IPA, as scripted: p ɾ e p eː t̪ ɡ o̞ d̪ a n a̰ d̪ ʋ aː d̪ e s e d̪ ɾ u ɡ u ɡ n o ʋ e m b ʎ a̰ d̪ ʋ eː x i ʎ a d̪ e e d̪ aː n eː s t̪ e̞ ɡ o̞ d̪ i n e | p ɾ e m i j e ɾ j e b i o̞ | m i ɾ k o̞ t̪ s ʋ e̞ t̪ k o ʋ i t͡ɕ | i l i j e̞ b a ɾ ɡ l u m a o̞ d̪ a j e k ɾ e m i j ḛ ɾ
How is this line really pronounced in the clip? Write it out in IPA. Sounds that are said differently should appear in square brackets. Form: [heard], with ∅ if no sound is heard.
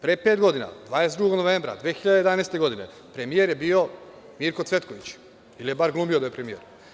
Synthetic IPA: p ɾ e p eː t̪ ɡ o̞ d̪ [i] n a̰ d̪ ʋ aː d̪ e s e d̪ ɾ u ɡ [o] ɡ n o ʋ e m b [ɾ] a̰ d̪ ʋ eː x i ʎ a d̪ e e d̪ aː n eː s t̪ e̞ ɡ o̞ d̪ i n e | p ɾ e m i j e ɾ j e b i o̞ | m i ɾ k o̞ t̪ s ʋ e̞ t̪ k o ʋ i t͡ɕ | i l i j e̞ b a ɾ ɡ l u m [i] o̞ d̪ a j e [p] ɾ e m i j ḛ ɾ